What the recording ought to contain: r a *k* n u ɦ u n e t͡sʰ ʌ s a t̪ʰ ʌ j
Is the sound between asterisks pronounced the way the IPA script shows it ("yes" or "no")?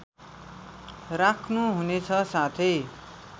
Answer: no